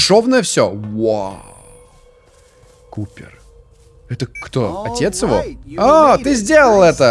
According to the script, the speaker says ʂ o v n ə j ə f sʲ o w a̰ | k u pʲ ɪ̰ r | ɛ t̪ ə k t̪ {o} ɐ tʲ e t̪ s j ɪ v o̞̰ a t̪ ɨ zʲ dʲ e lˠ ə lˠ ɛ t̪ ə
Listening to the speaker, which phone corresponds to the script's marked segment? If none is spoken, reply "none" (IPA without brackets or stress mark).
o